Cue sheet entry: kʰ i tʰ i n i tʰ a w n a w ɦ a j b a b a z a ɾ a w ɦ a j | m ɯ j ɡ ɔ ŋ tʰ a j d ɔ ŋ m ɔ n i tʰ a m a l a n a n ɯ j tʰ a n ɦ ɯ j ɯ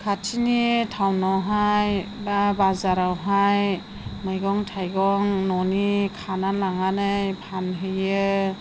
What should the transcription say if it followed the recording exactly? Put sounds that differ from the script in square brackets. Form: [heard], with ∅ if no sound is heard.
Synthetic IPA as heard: kʰ [a] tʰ i n i tʰ a w n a w ɦ a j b a b a z a ɾ a w ɦ a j | m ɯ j ɡ ɔ ŋ tʰ a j [ɡ] ɔ ŋ [n] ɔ n i [kʰ] a [n] a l a [ŋ] a n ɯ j [pʰ] a n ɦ ɯ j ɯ